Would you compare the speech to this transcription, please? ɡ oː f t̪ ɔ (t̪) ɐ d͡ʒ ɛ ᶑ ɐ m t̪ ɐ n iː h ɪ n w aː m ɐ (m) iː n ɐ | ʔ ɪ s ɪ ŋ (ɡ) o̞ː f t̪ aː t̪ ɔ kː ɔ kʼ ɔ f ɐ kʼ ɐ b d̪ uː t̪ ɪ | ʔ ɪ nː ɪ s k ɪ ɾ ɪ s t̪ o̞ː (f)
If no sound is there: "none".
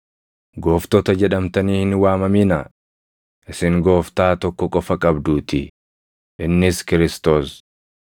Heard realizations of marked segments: t̪, m, ɡ, s

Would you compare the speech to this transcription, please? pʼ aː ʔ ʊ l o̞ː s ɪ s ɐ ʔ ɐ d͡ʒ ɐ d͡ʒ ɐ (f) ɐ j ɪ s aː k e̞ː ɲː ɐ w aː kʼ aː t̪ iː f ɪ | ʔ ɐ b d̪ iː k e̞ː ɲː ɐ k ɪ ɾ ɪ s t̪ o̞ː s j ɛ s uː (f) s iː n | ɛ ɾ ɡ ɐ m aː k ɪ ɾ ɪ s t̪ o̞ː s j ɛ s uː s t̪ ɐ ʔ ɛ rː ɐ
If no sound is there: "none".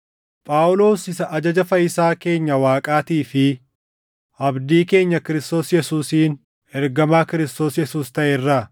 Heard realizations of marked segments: f, none

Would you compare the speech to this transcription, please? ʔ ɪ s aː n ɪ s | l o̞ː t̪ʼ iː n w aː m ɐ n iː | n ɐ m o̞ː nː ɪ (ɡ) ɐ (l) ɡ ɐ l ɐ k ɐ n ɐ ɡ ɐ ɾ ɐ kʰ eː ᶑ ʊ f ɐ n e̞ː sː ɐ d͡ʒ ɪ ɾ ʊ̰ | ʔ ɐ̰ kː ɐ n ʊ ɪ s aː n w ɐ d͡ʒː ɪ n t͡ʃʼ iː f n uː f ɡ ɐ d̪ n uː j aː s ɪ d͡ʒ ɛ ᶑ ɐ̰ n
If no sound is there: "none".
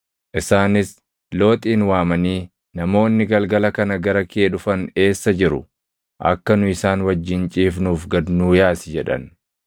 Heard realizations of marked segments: ɡ, l

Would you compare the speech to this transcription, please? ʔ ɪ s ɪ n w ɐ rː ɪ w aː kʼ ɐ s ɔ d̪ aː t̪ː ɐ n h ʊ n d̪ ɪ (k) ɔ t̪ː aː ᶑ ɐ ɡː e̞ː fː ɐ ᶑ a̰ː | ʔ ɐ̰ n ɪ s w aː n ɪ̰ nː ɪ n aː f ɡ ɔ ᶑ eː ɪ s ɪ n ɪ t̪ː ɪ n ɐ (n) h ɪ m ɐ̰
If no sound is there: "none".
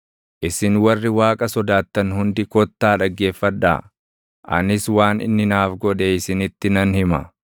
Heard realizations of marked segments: k, n

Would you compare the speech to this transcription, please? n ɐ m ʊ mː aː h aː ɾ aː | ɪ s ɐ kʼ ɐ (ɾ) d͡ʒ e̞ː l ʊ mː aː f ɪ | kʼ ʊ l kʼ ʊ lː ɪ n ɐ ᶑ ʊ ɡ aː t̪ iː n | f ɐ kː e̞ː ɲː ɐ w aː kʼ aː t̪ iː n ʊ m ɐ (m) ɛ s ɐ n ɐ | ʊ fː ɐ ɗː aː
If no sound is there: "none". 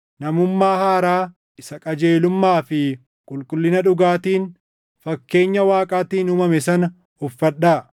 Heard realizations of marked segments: none, m

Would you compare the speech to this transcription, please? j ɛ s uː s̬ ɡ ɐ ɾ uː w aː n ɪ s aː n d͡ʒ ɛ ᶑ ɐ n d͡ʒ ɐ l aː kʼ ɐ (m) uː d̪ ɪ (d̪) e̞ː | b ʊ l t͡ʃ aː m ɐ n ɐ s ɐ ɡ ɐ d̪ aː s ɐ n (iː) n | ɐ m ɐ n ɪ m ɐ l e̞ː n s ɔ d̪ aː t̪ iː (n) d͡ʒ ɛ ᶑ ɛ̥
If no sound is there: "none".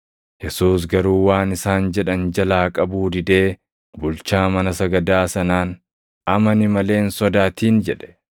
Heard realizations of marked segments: b, d̪, aː, n

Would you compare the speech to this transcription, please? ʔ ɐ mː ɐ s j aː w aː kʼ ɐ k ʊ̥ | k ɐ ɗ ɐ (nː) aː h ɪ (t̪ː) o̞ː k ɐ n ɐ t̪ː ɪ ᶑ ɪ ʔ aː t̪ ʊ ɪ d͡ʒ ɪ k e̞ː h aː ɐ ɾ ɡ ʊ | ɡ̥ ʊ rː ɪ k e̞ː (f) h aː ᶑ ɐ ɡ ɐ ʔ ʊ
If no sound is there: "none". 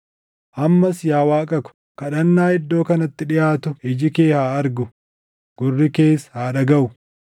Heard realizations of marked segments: nː, d̪ː, s

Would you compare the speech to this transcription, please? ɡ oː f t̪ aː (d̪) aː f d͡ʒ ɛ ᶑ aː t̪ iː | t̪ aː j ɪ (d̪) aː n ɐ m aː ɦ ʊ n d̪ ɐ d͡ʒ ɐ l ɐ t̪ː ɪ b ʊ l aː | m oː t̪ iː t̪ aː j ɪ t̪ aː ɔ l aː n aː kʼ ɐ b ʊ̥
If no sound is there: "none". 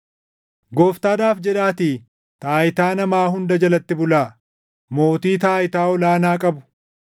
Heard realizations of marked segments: d̪, t̪

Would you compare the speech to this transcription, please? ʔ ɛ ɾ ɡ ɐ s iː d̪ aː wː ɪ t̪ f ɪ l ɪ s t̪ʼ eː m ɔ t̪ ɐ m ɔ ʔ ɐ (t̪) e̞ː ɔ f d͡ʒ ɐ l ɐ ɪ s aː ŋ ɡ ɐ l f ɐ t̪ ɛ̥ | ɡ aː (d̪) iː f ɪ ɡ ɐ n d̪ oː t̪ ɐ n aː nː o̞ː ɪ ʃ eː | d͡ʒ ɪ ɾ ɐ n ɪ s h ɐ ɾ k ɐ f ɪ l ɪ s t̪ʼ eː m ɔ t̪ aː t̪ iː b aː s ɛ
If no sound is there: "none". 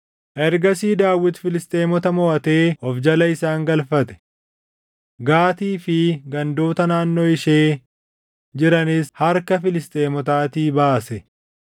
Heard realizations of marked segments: t̪, t̪

